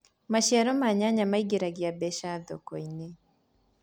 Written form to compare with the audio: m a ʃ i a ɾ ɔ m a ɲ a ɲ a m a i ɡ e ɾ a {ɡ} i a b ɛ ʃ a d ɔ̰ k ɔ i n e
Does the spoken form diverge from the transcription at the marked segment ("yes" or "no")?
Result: no